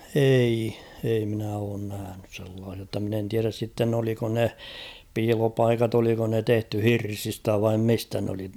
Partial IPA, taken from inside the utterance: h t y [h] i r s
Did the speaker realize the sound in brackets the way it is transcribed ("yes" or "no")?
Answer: yes